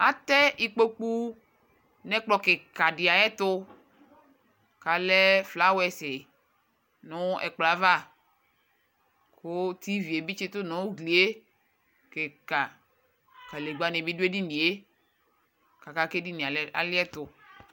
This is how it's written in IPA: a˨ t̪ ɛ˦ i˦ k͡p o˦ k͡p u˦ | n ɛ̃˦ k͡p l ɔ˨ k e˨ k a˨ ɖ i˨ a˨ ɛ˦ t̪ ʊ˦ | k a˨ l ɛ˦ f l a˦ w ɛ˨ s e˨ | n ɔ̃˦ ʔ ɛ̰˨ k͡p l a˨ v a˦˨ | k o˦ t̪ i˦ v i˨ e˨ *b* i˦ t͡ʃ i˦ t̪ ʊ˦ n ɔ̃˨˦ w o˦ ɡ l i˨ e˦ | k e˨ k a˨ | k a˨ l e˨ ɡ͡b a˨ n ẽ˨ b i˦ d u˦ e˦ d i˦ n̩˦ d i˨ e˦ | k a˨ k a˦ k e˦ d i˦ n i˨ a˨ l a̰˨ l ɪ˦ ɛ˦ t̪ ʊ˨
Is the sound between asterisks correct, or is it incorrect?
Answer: correct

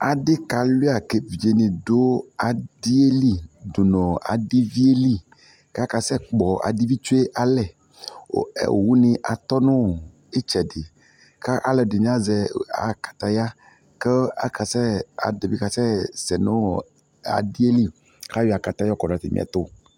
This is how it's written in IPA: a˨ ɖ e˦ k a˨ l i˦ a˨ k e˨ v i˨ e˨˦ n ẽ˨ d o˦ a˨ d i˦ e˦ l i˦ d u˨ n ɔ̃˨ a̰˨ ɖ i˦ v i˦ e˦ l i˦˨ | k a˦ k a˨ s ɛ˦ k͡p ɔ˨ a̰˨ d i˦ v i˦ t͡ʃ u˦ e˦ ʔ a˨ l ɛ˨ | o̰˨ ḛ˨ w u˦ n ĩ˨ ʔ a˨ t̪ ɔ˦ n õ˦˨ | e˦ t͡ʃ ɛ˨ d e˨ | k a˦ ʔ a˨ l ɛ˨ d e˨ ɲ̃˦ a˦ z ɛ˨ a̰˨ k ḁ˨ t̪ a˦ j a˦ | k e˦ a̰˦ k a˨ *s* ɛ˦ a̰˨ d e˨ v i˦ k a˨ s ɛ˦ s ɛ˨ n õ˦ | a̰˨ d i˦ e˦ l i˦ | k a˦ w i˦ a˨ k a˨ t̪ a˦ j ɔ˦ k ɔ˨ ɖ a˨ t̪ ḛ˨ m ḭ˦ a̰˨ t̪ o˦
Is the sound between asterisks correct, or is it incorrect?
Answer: correct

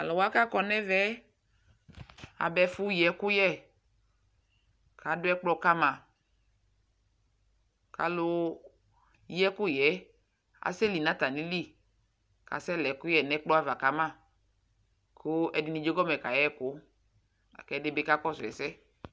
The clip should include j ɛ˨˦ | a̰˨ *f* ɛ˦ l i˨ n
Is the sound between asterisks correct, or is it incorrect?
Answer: incorrect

